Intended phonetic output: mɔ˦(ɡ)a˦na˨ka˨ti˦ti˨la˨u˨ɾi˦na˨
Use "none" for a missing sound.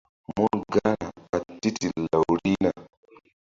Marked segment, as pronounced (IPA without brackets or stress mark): ɡ